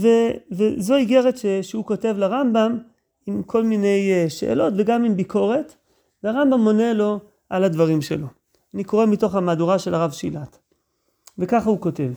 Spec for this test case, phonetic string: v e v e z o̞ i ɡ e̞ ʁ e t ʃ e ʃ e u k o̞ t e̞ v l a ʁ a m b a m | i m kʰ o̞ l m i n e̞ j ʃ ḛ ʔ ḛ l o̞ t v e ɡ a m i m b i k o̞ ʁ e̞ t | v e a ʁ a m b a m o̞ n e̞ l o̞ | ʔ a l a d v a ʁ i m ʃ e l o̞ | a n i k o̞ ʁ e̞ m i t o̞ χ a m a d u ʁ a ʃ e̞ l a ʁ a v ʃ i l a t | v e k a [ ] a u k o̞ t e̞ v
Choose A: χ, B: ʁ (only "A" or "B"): A